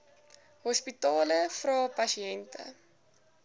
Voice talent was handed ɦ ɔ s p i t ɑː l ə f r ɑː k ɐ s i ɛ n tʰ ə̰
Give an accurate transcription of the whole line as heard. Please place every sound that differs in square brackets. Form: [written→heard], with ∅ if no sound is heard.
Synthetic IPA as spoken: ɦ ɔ s p i t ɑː l ə f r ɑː [k→p] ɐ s i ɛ n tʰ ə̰